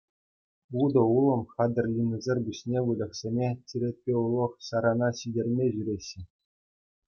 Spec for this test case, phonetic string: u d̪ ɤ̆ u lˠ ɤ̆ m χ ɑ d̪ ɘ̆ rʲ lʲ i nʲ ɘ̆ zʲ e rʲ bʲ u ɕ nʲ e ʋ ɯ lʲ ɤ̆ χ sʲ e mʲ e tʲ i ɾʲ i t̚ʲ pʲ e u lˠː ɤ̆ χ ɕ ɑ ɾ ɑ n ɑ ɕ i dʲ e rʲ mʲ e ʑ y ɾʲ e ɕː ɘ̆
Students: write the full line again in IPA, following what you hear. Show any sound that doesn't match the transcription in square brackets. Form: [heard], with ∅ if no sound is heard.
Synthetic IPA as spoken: u d̪ ɤ̆ u lˠ ɤ̆ m χ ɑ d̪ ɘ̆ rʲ lʲ i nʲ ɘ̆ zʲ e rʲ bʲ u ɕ nʲ e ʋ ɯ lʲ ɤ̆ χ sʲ e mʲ e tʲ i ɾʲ [e] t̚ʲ pʲ e u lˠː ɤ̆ χ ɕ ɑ ɾ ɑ n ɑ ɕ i dʲ e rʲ mʲ e ʑ y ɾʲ e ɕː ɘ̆